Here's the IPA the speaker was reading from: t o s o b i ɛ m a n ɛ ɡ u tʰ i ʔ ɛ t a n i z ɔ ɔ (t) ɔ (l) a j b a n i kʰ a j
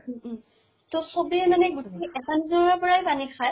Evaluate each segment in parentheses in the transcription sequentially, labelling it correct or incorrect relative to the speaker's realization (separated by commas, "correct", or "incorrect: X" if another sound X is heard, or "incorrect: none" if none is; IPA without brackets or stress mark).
incorrect: p, incorrect: ɹ